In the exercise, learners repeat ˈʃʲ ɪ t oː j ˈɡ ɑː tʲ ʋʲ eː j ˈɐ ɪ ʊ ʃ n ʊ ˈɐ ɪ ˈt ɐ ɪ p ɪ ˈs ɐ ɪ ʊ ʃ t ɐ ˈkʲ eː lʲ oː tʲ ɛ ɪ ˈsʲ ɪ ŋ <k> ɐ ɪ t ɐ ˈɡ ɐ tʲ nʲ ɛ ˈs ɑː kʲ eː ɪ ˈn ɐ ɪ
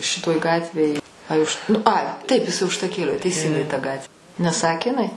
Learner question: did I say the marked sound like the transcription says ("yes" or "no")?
no